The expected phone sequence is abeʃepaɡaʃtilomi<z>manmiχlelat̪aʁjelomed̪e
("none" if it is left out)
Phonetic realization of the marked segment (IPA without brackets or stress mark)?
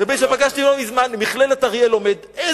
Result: z